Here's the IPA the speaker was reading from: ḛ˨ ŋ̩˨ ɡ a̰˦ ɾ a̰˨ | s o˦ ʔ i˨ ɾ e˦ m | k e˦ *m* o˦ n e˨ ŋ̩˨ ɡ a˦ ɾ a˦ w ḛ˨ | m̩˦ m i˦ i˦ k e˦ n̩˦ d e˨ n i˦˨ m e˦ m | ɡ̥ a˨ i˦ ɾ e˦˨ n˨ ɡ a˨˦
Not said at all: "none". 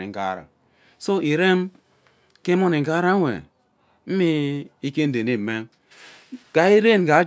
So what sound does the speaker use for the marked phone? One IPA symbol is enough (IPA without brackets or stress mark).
m